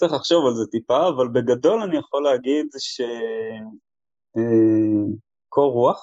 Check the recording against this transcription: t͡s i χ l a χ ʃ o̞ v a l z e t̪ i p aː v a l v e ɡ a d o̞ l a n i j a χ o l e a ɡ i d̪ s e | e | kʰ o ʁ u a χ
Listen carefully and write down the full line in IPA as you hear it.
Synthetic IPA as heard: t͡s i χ l a χ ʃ o̞ v a l z e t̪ i p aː v a l b e ɡ a d o̞ l a n i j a χ o l e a ɡ i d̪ ʃ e | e | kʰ o ʁ u a χ